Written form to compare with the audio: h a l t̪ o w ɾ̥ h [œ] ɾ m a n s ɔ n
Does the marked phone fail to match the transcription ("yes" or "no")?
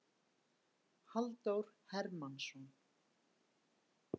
yes